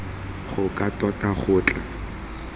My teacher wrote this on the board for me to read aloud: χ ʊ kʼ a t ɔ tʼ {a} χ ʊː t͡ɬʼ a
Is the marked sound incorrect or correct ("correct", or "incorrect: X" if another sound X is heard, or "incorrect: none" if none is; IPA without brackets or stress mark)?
correct